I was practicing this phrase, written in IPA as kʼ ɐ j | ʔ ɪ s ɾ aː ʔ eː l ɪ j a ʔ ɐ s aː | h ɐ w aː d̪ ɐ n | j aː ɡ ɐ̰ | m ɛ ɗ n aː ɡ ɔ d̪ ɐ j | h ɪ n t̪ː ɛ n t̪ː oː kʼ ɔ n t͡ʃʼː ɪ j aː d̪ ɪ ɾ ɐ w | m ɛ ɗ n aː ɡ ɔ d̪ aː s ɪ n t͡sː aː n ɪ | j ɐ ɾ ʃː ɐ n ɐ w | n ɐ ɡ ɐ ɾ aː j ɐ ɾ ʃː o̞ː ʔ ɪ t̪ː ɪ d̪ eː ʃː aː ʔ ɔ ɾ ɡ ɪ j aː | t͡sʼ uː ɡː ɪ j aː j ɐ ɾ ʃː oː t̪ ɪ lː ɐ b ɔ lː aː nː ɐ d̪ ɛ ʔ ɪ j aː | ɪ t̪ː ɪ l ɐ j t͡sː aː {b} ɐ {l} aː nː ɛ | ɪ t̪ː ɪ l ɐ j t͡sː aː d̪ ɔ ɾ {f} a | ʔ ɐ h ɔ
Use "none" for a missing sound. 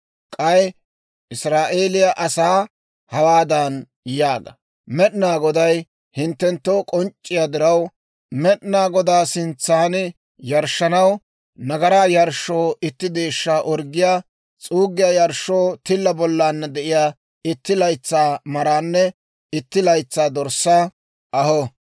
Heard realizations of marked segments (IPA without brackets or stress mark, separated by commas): m, ɾ, s